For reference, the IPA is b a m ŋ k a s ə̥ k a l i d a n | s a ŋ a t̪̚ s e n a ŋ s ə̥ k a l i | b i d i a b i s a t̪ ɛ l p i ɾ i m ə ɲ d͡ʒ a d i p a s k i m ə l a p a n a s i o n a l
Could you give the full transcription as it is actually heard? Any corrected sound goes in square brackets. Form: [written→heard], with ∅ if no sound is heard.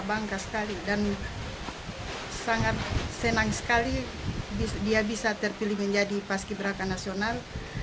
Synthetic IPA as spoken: b a [m→∅] ŋ k a s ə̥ k a l i d a n | s a ŋ a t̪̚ s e n a ŋ s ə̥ k a l i | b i d i a b i s a t̪ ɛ [l→r] p i [ɾ→l] i m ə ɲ d͡ʒ a d i p a s k i [m→b] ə [l→ɾ] a [p→k] a n a s i o n a l

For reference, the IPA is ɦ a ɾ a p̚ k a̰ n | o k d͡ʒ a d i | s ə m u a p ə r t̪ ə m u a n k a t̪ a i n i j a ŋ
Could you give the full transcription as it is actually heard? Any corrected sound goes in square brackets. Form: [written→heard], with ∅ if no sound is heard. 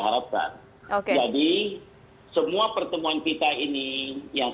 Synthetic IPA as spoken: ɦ a ɾ a p̚ k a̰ n | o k d͡ʒ a d i | s ə m u a p ə r t̪ ə m u a n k [a→i] t̪ a i n i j a ŋ

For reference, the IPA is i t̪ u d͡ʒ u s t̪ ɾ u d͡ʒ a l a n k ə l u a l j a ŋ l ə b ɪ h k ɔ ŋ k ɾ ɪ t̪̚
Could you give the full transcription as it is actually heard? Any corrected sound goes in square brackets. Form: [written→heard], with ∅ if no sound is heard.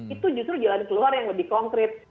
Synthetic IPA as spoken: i t̪ u d͡ʒ u s t̪ ɾ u d͡ʒ a l a n k ə l u a [l→r] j a ŋ l ə b ɪ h k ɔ ŋ k ɾ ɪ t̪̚

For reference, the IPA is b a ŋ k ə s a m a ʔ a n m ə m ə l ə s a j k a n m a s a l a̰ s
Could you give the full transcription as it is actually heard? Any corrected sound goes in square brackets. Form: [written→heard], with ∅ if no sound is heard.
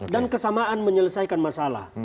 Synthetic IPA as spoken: [b→d] a [ŋ→n] k ə s a m a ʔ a n m ə [m→ɲ] ə l ə s a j k a n m a s a l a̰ [s→h]

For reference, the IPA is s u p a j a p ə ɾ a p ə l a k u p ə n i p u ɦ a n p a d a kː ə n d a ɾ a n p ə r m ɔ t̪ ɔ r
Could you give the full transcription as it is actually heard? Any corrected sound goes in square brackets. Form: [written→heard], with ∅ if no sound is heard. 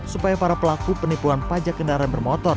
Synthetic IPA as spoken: s u p a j a p [ə→a] ɾ a p ə l a k u p ə n i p u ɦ a n p a [d→d͡ʒ] a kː ə n d a ɾ a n [p→b] ə r m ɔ t̪ ɔ r

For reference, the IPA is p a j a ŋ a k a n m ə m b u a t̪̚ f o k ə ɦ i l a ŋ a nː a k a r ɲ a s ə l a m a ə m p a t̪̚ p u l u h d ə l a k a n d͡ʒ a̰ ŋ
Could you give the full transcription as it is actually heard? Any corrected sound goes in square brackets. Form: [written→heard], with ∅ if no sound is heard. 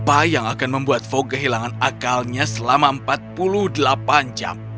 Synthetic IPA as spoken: p a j a ŋ a k a n m ə m b u a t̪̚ f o k ə ɦ i l a ŋ a [nː→n] a k a [r→l] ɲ a s ə l a m a ə m p a t̪̚ p u l u h d ə l a [k→p] a n d͡ʒ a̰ [ŋ→m]

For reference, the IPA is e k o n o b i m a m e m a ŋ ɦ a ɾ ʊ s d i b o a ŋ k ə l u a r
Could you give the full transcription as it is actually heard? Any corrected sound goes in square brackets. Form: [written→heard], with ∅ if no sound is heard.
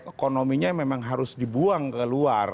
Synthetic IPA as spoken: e k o n o [b→m] i [m→ɲ] a m e m a ŋ ɦ a ɾ ʊ s d i b [o→u] a ŋ k ə l u a r

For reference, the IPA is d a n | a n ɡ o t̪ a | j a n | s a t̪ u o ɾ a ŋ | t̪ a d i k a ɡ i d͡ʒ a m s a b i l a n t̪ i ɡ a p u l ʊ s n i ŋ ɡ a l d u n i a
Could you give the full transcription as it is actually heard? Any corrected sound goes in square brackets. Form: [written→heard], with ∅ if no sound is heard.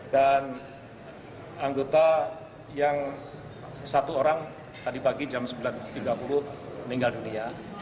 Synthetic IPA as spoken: d a n | a [n→ŋ] ɡ o t̪ a | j a [n→ŋ] | s a t̪ u o ɾ a ŋ | t̪ a d i [k→p] a ɡ i d͡ʒ a m s [a→ə] b i l a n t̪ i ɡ a p u l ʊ [s→h] n i ŋ ɡ a l d u n i a

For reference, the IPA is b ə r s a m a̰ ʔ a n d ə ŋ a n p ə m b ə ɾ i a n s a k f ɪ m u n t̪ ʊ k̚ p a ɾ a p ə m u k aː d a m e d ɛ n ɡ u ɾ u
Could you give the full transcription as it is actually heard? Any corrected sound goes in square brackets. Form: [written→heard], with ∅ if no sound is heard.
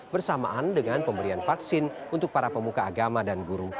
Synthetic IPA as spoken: b ə r s a m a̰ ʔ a n d ə ŋ a n p ə m b ə ɾ i a n [s→f] a k [f→s] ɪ [m→n] u n t̪ ʊ k̚ p a ɾ a p ə m u k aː [d→ɡ] a m [e→a] d [ɛ→a] n ɡ u ɾ u

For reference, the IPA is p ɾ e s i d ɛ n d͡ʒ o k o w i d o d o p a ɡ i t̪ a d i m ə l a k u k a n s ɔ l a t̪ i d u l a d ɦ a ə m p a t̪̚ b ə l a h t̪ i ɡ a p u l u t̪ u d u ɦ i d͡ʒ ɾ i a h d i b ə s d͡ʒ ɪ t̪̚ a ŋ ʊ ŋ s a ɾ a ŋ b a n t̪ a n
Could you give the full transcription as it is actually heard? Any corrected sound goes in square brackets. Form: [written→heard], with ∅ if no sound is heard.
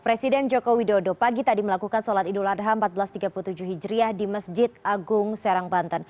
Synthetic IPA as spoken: p ɾ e s i d ɛ n d͡ʒ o k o w i d o d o p a ɡ i t̪ a d i m ə l a k u k a n s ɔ l a t̪ i d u l a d ɦ a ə m p a t̪̚ b ə l a [h→s] t̪ i ɡ a p u l u t̪ u [d→d͡ʒ] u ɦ i d͡ʒ ɾ i a h d i [b→m] ə s d͡ʒ ɪ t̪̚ a [ŋ→ɡ] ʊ ŋ s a ɾ a ŋ b a n t̪ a n

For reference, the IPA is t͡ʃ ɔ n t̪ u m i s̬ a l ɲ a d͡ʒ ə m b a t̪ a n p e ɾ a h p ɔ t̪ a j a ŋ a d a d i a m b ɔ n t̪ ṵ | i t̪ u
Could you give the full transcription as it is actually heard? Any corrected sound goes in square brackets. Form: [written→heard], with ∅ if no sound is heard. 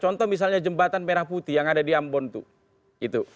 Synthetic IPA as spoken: t͡ʃ ɔ n t̪ [u→ɔ] m i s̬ a l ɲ a d͡ʒ ə m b a t̪ a n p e ɾ a h p [ɔ→u] t̪ [a→i] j a ŋ a d a d i a m b ɔ n t̪ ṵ | i t̪ u

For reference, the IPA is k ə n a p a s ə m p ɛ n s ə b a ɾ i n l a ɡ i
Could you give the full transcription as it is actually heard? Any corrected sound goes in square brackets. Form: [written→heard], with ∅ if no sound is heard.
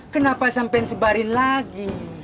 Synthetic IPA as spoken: k ə n a p a s [ə→a] m p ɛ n s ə b a ɾ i n l a ɡ i

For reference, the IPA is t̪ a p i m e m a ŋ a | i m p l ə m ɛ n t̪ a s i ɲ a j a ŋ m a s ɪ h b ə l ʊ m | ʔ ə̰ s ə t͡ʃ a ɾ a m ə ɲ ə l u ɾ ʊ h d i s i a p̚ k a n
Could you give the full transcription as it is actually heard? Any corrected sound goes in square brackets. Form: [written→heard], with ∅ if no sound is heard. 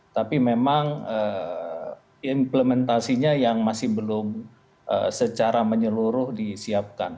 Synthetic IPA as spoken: t̪ a p i m e m a ŋ [a→ə] | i m p l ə m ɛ n t̪ a s i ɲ a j a ŋ m a s ɪ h b ə l ʊ m | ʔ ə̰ s ə t͡ʃ a ɾ a m ə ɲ ə l u ɾ ʊ h d i s i a p̚ k a n

